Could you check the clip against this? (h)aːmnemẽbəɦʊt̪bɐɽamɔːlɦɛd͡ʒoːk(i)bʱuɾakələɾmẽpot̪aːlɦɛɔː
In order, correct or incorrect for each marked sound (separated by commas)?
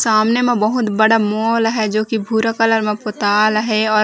incorrect, correct